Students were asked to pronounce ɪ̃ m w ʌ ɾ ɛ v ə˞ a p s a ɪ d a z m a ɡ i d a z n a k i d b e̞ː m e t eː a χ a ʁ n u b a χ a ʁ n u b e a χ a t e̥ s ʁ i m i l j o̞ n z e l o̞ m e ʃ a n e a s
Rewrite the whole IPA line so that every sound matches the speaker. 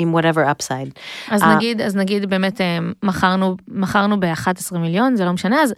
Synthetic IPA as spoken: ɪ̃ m w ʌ ɾ ɛ v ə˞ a p s a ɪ d a z n a ɡ i d a z n a ɡ i d b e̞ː m e t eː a χ a ʁ n u m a χ a ʁ n u b e a χ a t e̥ s ʁ i m i l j o̞ n z e l o̞ m e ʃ a n e a z